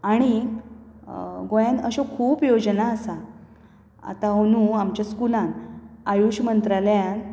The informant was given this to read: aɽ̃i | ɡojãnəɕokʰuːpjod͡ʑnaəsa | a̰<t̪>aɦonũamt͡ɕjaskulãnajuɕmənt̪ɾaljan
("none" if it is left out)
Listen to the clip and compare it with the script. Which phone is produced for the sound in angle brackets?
t̪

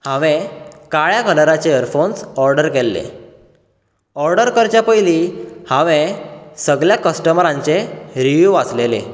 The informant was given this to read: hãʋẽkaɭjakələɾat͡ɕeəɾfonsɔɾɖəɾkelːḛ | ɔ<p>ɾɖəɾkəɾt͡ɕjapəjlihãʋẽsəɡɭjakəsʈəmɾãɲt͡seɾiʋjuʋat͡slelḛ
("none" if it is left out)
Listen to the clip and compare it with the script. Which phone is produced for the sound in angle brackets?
none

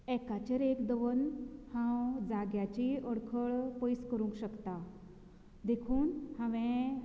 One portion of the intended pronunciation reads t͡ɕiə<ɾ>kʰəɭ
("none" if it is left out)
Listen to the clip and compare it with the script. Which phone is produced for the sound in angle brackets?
ɽ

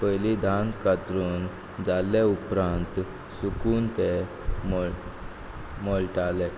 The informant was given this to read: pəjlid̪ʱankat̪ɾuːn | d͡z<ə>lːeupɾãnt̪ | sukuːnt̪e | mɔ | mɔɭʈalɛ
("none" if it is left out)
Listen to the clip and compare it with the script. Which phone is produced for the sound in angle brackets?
a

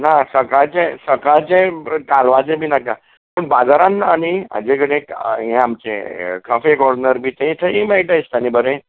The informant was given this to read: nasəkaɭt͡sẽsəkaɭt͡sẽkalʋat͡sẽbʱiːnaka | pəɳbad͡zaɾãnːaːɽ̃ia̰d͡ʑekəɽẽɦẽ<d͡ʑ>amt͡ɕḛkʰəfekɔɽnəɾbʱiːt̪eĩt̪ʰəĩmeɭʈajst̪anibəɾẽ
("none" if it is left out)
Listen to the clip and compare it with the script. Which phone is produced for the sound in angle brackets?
none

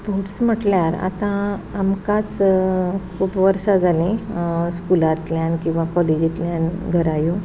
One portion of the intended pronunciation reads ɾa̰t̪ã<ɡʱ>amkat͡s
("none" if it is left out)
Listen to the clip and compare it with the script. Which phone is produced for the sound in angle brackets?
none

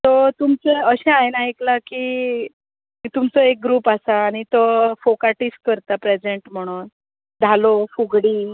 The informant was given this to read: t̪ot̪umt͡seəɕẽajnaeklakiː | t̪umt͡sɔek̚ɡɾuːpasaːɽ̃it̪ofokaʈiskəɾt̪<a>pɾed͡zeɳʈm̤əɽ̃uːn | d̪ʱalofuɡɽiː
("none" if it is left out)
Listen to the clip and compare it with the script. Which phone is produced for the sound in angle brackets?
a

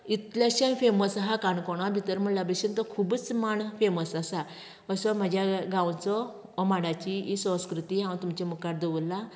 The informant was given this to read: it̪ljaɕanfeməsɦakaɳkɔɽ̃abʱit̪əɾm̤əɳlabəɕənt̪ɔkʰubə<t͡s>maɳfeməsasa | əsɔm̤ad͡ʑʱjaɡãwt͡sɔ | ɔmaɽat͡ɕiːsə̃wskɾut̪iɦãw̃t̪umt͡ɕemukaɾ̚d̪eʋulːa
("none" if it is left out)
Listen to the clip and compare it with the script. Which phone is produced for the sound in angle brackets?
t͡s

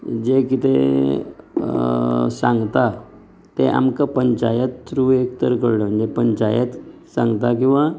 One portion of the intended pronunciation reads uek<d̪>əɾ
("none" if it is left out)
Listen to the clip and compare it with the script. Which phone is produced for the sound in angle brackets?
t̪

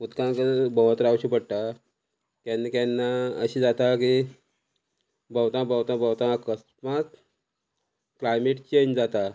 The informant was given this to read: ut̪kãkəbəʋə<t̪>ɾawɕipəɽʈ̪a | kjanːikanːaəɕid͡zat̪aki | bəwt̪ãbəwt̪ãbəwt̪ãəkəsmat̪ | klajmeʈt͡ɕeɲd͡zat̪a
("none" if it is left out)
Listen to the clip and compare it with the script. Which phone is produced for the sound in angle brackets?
t̪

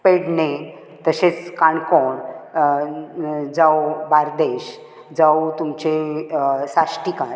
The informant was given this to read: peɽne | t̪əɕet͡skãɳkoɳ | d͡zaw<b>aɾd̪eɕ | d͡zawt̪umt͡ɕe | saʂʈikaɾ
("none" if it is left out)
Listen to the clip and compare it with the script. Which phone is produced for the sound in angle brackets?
b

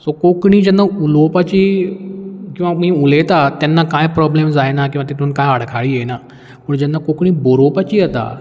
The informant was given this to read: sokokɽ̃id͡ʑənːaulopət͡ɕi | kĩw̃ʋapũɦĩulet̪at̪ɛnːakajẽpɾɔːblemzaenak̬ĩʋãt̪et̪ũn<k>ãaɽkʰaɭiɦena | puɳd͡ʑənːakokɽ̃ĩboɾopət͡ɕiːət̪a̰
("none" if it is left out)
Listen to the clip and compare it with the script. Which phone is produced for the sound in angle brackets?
k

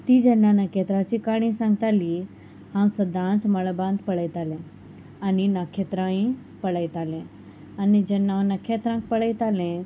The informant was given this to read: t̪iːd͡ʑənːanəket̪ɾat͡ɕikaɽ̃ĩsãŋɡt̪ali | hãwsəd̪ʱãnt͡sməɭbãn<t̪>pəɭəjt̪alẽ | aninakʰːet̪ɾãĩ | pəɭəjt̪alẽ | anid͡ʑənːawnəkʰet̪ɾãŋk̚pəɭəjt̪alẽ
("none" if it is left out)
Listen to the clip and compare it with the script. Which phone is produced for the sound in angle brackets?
d̪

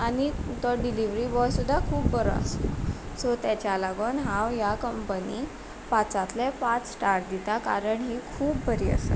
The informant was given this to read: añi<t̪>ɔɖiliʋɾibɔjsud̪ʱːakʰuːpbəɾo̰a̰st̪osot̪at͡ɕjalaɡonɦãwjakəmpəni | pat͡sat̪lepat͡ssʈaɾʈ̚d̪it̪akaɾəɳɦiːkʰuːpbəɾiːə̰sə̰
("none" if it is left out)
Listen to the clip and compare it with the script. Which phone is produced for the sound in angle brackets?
t̪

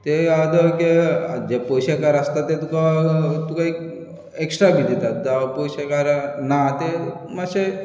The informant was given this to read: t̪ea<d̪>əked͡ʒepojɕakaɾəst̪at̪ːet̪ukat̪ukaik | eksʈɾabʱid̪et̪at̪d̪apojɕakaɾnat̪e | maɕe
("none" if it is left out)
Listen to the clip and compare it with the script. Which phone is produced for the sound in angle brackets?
d̪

